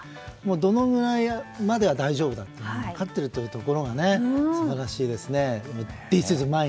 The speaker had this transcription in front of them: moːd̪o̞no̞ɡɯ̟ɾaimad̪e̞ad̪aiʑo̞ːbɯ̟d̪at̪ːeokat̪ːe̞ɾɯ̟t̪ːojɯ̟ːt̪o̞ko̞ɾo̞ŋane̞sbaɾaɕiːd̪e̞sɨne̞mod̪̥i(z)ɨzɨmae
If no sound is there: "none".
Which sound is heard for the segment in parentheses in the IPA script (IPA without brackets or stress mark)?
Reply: s